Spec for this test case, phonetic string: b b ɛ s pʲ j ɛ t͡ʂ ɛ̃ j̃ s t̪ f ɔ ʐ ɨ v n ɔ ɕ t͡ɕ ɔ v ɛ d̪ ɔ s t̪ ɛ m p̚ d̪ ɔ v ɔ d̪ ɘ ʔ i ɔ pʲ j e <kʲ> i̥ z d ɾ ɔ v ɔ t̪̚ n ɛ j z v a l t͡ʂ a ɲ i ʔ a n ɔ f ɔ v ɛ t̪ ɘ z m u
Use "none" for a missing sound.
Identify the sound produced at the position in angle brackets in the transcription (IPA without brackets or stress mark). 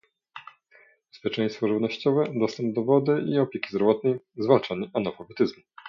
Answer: kʲ